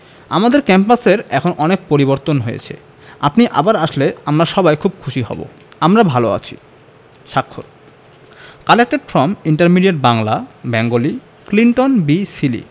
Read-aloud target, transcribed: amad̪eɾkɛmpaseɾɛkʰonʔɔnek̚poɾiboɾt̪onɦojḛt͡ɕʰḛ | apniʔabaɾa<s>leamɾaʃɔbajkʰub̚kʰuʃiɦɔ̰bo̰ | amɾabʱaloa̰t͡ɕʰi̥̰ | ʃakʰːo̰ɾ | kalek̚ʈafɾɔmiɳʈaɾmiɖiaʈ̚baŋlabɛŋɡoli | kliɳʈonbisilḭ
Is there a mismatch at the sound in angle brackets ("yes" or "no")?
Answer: yes